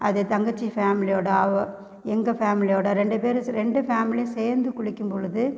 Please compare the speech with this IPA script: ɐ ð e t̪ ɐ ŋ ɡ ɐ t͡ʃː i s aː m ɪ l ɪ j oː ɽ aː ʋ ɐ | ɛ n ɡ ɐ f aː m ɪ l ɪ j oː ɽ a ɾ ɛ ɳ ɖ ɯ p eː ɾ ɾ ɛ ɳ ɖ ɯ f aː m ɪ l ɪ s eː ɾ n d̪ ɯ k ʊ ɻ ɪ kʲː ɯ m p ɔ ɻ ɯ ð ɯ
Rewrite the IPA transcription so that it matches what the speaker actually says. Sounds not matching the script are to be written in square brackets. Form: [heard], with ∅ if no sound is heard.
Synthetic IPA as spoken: ɐ ð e t̪ ɐ ŋ ɡ ɐ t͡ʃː i [f] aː m ɪ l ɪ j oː ɽ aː ʋ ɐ | ɛ [ŋ] ɡ ɐ f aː m ɪ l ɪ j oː ɽ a ɾ ɛ ɳ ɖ ɯ p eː ɾ ɾ ɛ ɳ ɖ ɯ f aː m ɪ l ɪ s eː ɾ n d̪ ɯ k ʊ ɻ ɪ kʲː ɯ m p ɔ ɻ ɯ ð ɯ